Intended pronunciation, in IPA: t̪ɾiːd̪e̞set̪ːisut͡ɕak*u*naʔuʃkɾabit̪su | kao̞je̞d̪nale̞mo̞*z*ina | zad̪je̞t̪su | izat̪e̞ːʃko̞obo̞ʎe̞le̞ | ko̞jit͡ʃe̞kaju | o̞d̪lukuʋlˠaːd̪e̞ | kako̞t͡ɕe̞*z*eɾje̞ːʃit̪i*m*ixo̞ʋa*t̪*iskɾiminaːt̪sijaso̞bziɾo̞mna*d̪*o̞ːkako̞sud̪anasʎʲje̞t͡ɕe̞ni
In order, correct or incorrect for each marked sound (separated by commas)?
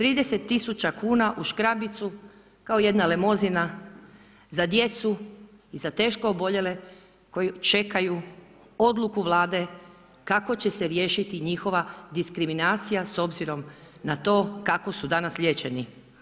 incorrect, correct, incorrect, incorrect, incorrect, incorrect